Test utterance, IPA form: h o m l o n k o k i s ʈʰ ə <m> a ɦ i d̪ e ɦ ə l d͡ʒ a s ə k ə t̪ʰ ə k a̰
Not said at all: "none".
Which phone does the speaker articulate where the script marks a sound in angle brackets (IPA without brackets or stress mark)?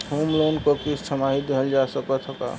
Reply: m